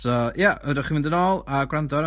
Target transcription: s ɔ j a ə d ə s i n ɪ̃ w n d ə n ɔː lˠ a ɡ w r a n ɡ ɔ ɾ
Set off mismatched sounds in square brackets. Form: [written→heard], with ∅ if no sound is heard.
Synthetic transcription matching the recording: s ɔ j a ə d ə [s→χ] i [n→m] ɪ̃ [w→∅] n d ə n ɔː lˠ a ɡ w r a n [ɡ→d] ɔ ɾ